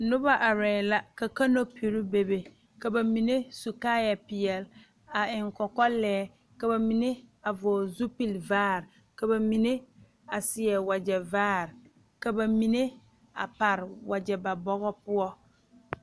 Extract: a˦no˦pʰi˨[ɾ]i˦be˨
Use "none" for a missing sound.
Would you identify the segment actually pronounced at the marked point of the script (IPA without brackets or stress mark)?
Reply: ɾ